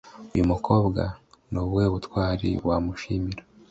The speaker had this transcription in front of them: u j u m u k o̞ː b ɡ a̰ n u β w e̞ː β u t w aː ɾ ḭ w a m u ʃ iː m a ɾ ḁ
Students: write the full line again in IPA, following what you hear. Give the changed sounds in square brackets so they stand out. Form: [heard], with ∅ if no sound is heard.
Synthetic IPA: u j u m u k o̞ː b ɡ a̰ n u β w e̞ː β u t w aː ɾ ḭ w a m u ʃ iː m [i] ɾ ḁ